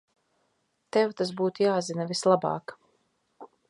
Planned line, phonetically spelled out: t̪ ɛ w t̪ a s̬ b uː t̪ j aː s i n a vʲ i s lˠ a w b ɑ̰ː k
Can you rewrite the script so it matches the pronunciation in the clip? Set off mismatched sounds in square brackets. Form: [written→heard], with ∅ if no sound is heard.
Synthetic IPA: t̪ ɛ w t̪ a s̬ b uː t̪ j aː [s→z] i n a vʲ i s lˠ a [w→∅] b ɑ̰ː k